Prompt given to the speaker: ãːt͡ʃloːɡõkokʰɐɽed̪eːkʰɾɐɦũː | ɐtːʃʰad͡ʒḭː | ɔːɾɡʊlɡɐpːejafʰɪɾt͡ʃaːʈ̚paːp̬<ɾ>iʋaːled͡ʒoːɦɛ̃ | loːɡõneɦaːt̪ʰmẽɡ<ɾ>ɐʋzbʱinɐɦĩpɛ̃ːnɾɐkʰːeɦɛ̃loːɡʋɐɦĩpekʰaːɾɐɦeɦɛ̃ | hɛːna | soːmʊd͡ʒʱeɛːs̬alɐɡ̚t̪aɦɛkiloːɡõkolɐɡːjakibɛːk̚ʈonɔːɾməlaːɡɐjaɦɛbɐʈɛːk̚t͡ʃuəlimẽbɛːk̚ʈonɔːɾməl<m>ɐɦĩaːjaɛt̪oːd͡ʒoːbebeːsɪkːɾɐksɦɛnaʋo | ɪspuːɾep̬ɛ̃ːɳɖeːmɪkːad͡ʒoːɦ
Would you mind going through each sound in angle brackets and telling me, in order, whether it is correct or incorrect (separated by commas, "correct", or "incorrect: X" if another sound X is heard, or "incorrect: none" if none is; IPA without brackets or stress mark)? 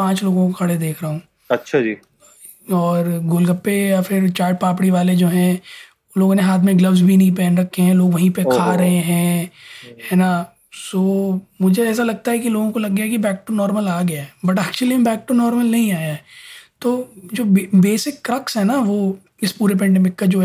incorrect: ɽ, incorrect: l, incorrect: n